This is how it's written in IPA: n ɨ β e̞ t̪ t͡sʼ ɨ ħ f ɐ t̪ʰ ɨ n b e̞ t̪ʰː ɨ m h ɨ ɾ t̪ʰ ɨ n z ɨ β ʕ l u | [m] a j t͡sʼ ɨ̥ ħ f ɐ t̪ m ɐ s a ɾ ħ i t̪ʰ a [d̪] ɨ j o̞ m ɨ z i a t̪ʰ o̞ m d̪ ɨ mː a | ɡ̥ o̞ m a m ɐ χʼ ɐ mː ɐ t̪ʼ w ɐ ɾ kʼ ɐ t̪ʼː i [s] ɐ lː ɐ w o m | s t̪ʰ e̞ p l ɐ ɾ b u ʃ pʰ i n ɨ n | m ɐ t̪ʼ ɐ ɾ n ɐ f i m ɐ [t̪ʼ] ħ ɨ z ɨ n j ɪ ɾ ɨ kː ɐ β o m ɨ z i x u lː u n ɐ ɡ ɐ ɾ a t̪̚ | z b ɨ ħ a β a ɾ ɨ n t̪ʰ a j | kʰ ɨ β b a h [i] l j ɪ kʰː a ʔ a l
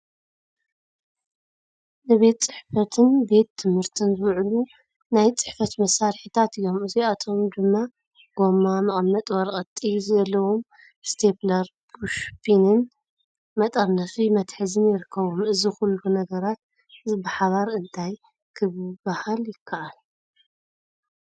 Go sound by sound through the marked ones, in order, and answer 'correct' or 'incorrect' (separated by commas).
incorrect, incorrect, incorrect, incorrect, incorrect